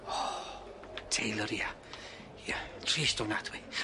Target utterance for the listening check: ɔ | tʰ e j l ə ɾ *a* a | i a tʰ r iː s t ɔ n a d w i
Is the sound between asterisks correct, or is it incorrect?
incorrect